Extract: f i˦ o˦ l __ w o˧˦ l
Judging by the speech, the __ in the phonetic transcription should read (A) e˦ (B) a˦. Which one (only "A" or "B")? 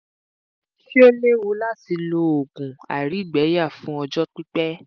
A